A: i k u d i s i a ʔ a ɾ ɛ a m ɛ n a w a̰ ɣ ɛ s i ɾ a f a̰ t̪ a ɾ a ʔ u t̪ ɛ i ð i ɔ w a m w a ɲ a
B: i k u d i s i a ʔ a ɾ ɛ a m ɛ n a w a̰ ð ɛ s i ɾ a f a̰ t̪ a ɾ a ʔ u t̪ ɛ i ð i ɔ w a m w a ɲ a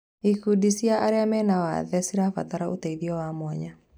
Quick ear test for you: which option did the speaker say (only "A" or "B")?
B